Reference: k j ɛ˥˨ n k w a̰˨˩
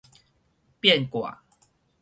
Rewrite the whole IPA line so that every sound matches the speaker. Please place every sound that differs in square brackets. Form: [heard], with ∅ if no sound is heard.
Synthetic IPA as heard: [p] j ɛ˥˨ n k w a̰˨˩